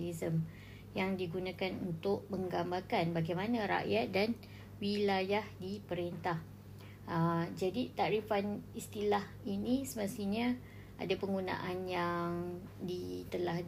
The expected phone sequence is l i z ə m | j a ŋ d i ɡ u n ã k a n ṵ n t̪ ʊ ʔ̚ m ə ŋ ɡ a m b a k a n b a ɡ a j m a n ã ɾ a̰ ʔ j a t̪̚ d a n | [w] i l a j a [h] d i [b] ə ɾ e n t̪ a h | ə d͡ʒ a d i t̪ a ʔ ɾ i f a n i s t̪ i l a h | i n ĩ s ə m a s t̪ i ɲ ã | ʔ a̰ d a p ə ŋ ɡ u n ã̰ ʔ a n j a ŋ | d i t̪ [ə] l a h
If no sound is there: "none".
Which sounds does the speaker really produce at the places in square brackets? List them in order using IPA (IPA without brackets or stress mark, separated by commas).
w, h, p, ə